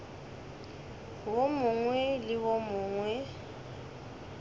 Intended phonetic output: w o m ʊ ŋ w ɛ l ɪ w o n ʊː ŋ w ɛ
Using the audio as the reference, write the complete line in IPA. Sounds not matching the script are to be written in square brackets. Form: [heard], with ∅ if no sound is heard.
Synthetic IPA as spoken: w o m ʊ ŋ w ɛ l ɪ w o [m] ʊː ŋ w ɛ